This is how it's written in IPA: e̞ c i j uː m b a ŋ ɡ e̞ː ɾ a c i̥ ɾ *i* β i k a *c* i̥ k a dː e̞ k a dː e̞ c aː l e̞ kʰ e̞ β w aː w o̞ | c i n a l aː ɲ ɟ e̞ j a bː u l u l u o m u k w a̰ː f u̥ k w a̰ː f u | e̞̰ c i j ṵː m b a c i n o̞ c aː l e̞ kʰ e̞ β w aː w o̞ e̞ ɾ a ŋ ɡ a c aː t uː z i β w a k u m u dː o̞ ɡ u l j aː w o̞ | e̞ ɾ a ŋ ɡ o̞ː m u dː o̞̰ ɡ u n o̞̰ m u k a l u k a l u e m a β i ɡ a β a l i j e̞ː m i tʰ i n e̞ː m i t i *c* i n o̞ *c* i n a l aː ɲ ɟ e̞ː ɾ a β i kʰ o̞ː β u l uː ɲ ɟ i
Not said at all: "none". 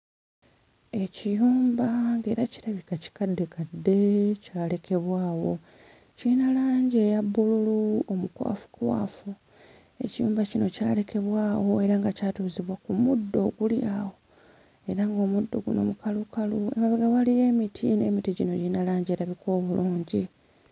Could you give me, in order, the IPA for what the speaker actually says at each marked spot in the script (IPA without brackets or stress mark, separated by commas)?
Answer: a, c, ɟ, ɟ